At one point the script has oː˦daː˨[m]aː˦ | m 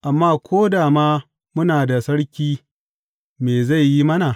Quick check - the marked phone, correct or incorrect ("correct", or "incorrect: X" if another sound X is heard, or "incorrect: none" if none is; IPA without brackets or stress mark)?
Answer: correct